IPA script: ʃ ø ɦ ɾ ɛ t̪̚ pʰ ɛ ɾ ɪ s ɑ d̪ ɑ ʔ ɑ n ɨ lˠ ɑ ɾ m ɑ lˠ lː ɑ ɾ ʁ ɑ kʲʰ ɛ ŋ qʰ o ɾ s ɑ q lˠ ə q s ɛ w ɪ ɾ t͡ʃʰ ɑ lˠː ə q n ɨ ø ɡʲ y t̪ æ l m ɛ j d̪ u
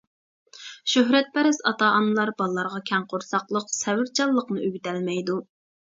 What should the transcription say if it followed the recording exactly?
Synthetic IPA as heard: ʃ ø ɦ ɾ ɛ t̪̚ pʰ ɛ ɾ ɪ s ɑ t̪ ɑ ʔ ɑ n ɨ lˠ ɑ ɾ b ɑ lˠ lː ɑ ɾ ʁ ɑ kʲʰ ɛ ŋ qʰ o ɾ s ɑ q lˠ ə q s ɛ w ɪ ɾ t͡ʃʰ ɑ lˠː ə q n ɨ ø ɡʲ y t̪ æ l m ɛ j d̪ u